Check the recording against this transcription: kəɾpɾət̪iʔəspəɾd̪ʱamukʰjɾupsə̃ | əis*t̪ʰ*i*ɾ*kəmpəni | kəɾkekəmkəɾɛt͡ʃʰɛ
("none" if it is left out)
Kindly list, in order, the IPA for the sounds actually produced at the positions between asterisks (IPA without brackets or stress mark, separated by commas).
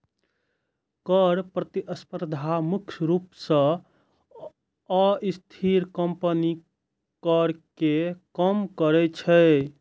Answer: t̪ʰ, ɾ